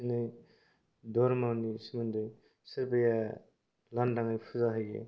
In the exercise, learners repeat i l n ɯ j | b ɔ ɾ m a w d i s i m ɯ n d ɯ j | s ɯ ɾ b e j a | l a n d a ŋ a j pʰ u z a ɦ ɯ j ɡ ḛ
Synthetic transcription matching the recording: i n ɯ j | d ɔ ɾ m a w n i s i m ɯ n d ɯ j | s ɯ ɾ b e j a | l a n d a ŋ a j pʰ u z a ɦ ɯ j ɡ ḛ